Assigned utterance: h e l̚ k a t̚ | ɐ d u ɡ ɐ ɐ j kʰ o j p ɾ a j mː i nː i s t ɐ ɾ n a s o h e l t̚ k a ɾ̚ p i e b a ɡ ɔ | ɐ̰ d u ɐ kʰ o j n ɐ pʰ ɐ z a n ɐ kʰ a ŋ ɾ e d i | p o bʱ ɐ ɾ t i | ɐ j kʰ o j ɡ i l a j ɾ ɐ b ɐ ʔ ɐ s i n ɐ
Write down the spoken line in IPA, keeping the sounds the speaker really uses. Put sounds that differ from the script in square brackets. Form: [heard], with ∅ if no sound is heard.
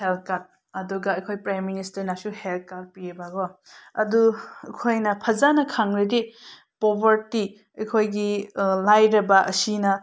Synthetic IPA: h e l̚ k a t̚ | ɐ d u ɡ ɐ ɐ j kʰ o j p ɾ a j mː i [n] i s t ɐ ɾ n a s [u] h e l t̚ k a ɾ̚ p i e b a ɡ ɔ | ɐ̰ d u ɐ kʰ o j n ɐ pʰ ɐ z a n ɐ kʰ a ŋ ɾ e d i | p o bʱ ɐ ɾ t i | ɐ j kʰ o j ɡ i l a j ɾ ɐ b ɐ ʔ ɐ s i n ɐ

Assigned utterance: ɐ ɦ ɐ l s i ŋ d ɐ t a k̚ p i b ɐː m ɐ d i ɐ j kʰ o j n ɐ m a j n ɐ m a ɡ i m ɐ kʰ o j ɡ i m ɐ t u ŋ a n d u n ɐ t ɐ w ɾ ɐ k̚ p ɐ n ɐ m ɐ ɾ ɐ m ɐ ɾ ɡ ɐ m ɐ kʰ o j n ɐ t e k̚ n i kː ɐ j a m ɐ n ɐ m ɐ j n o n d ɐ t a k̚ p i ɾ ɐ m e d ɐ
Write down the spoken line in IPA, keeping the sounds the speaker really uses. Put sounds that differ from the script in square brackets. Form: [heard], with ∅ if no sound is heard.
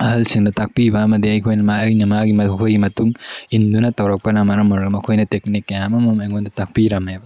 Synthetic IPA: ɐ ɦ ɐ l s i ŋ d ɐ t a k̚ p i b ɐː m ɐ d i ɐ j kʰ o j n ɐ m a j n ɐ m a ɡ i m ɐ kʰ o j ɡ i m ɐ t u ŋ [i] n d u n ɐ t ɐ w ɾ ɐ k̚ p ɐ n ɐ m ɐ ɾ ɐ m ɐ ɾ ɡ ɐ m ɐ kʰ o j n ɐ t e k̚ n i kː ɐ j a m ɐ [m] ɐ m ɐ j [ŋ] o n d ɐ t a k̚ p i ɾ ɐ m e [b] ɐ

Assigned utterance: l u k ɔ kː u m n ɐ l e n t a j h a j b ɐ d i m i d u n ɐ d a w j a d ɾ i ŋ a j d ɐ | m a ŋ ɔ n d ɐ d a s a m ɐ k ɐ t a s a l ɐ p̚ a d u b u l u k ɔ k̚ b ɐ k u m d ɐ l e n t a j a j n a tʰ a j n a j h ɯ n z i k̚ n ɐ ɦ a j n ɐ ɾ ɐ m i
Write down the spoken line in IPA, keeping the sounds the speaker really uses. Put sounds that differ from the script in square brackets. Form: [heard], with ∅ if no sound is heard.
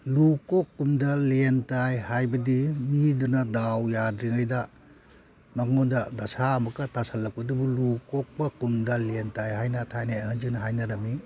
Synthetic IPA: l u k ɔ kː u m [d] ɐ l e n t a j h a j b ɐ d i m i d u n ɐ d a w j a d ɾ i ŋ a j d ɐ | m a ŋ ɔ n d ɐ d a s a m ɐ k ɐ t a s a l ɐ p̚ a d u b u l u k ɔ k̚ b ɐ k u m d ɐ l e n t a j a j n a tʰ a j n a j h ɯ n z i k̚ n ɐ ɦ a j n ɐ ɾ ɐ m i

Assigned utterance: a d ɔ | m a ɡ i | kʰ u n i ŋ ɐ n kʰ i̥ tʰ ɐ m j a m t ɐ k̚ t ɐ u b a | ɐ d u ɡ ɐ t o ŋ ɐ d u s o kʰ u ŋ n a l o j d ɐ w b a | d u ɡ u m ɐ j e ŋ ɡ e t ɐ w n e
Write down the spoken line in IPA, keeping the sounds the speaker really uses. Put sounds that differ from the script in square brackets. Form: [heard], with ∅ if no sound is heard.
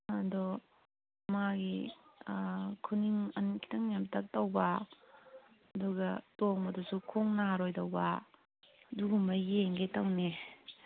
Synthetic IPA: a d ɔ | m a ɡ i | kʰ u n i ŋ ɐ n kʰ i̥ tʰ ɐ [ŋ] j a m t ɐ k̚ t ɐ [w] b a | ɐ d u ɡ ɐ t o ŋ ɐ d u s [u] kʰ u ŋ n a [ɾ] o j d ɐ w b a | d u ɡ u m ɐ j e ŋ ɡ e t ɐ w n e

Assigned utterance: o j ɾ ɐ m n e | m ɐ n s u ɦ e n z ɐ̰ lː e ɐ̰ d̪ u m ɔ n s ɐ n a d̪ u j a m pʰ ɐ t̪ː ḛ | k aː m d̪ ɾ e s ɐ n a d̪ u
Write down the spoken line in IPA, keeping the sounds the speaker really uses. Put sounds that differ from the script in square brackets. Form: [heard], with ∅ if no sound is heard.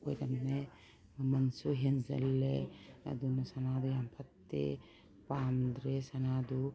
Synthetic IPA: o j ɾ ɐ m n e | m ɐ n s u ɦ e n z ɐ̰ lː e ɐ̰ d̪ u [n] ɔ [∅] s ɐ n a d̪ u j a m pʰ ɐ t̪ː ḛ | [p] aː m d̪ ɾ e s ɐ n a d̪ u

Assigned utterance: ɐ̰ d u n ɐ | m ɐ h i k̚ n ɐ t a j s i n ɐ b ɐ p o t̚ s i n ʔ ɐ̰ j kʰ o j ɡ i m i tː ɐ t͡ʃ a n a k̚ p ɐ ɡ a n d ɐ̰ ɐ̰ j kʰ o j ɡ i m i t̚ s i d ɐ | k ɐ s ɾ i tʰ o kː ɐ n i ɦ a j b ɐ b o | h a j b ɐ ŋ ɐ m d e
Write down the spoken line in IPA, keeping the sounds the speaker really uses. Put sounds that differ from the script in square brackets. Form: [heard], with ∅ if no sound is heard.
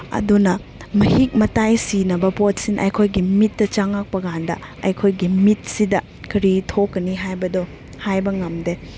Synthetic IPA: ɐ̰ d u n ɐ | m ɐ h i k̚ [m] ɐ t a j s i n ɐ b ɐ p o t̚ s i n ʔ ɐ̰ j kʰ o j ɡ i m i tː ɐ t͡ʃ a [ŋ] a k̚ p ɐ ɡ a n d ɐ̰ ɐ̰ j kʰ o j ɡ i m i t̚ s i d ɐ | k ɐ [∅] ɾ i tʰ o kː ɐ n i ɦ a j b ɐ [d] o | h a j b ɐ ŋ ɐ m d e

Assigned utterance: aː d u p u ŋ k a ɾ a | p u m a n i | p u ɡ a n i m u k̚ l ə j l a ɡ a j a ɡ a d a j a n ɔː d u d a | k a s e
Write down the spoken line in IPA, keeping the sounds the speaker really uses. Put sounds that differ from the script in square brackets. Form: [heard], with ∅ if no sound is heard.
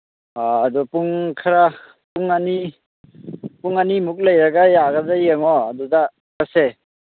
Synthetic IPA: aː d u p u ŋ [kʰ] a ɾ a | p u [ŋ] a n i | p u [ŋ] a n i m u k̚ l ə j [ɾ] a ɡ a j a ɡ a d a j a [ŋ] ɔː d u d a | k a s e

